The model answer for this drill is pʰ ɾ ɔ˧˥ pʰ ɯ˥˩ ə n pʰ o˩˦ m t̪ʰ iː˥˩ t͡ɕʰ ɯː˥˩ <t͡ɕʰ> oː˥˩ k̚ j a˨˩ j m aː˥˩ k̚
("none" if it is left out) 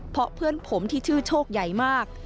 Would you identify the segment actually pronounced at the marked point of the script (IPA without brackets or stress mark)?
t͡ɕʰ